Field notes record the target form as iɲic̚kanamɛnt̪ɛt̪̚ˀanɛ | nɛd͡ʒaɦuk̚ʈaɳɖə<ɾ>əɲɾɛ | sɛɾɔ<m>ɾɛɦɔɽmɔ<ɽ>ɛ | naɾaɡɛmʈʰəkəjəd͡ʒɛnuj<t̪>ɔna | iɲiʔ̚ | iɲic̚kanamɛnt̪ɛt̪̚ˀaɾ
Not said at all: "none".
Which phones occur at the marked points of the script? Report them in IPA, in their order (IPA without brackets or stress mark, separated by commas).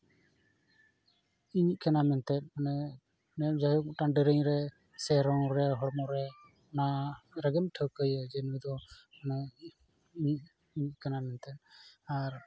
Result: ɾ, ŋ, ɾ, d̪